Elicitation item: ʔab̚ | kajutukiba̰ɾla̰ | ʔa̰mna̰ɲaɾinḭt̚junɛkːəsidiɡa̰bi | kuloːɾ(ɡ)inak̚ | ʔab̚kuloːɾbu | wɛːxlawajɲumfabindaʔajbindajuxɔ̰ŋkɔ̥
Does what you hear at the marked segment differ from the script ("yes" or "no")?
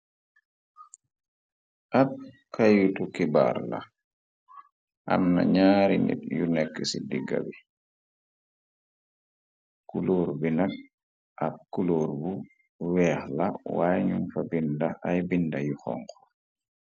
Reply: yes